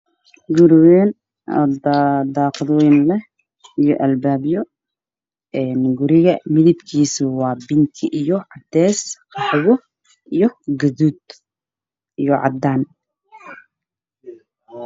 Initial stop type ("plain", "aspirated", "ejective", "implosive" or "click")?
plain